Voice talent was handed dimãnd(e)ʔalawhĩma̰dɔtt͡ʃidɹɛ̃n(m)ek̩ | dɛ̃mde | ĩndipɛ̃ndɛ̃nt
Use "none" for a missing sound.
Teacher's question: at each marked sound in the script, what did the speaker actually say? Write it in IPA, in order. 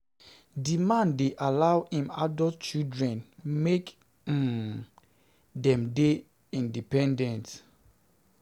e, m

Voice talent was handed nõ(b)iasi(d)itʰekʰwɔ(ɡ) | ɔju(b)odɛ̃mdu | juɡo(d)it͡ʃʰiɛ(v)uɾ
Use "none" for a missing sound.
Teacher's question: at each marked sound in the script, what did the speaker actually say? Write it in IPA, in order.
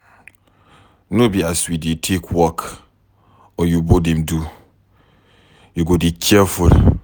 b, d, k, b, d, f

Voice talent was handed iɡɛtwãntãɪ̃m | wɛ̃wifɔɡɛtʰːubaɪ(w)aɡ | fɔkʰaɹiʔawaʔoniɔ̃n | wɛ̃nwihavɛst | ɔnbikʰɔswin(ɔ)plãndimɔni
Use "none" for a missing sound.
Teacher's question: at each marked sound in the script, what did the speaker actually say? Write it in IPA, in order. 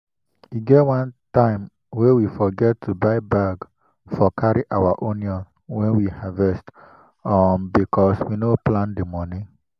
b, o

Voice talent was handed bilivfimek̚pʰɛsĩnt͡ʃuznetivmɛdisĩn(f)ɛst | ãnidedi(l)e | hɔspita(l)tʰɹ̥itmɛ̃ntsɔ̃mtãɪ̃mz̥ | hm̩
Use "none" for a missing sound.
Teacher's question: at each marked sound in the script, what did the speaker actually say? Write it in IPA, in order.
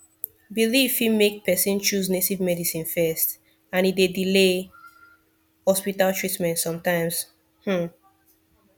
f, l, l

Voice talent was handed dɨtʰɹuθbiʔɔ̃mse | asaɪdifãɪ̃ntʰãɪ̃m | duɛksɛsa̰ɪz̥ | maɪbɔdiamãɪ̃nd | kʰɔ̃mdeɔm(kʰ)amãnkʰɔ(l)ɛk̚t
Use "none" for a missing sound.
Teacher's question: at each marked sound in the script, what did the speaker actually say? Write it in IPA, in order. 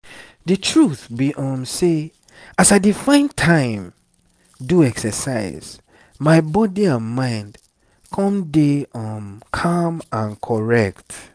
kʰ, ɹ

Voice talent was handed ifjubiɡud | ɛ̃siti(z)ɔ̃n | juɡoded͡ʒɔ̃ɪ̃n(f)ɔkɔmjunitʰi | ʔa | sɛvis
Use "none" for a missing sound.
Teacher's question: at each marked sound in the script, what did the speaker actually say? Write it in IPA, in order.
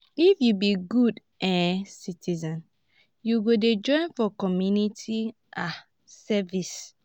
z, f

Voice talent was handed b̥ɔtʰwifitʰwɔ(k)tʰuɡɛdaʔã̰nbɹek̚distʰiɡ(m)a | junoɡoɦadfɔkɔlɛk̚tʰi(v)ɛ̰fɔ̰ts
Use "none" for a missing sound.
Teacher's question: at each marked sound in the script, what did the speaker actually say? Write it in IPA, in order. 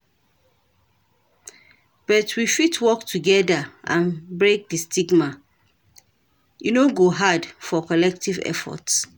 k, m, v

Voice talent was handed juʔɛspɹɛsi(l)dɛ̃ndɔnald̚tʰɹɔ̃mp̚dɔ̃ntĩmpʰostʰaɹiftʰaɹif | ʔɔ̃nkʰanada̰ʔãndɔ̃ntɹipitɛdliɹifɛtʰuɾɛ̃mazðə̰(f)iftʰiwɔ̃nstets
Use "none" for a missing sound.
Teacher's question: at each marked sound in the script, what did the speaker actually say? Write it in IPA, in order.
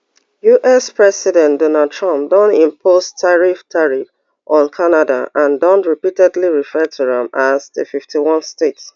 none, f

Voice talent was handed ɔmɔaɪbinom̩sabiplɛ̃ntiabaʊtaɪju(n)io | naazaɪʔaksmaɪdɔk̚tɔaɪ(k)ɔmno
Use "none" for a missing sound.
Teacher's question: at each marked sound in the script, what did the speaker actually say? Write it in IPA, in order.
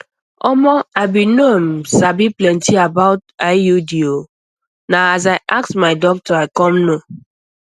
d, k

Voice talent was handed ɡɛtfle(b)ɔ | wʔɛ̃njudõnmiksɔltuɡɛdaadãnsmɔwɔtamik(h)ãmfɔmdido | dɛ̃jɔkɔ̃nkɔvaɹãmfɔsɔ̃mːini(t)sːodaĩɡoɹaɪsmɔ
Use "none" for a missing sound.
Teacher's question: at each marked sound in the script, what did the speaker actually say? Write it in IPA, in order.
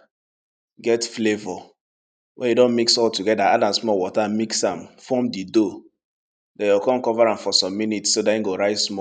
v, s, t

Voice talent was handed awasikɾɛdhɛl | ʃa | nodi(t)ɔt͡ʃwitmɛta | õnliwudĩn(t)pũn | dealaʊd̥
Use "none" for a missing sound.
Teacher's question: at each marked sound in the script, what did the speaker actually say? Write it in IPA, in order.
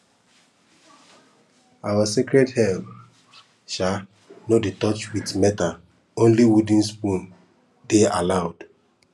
t, s

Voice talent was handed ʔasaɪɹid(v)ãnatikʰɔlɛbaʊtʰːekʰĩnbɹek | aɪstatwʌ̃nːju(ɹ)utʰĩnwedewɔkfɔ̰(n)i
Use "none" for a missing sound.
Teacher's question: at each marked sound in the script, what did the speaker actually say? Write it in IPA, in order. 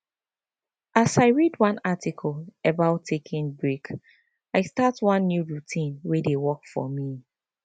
w, ɹ, m

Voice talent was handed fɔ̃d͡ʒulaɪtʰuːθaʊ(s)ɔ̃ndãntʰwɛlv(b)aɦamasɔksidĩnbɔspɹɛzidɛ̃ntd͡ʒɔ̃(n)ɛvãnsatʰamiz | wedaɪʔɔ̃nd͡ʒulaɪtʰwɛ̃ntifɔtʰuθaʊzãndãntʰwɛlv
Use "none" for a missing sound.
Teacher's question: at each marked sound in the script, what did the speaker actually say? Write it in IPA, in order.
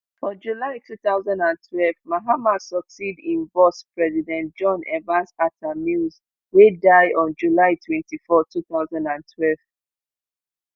z, m, n

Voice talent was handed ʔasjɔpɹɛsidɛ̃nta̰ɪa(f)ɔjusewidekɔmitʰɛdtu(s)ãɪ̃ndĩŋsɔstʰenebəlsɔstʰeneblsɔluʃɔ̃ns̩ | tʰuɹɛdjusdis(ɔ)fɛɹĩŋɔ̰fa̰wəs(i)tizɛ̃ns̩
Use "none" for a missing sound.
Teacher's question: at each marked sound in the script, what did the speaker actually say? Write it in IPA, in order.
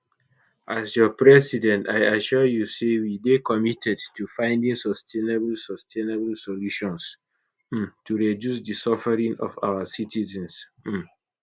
ʃ, f, ɔ, i

